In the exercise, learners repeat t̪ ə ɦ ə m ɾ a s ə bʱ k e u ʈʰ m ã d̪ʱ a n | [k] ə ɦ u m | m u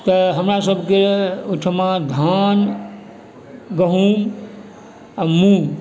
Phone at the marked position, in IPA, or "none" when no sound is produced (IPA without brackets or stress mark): ɡ